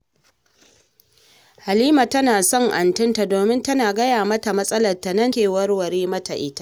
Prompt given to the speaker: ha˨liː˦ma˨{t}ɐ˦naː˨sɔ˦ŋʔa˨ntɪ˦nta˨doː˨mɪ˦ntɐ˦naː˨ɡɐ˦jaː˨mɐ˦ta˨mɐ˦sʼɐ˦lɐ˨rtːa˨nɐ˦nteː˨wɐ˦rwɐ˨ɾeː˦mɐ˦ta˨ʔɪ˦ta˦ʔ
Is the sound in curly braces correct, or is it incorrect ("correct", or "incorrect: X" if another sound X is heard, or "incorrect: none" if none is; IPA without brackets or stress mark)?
correct